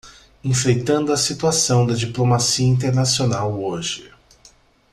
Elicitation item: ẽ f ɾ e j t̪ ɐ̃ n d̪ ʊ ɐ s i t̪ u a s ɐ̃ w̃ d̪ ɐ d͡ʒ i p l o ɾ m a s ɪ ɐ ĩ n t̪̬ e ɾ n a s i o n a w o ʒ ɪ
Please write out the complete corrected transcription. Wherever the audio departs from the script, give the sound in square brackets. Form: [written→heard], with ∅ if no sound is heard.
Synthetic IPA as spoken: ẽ f ɾ e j t̪ ɐ̃ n d̪ ʊ ɐ s i t̪ u a s ɐ̃ w̃ d̪ ɐ d͡ʒ i p l o [ɾ→∅] m a s [ɪ→i] ɐ ĩ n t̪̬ e ɾ n a s i o n a w o ʒ ɪ